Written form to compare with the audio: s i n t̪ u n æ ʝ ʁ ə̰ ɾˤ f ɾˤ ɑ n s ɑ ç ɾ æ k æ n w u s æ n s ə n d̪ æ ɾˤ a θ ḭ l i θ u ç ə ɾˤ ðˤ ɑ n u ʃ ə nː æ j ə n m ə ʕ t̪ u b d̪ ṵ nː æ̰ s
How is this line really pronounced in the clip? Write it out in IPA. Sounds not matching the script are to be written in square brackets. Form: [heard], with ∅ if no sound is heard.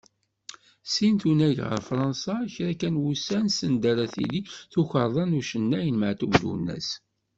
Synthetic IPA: s i n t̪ u n æ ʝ ʁ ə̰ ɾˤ f ɾˤ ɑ n s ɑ ç ɾ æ k æ n w u s æ n s ə n d̪ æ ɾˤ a θ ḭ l i θ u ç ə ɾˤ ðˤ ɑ n u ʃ ə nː æ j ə n m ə ʕ t̪ u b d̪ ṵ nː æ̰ s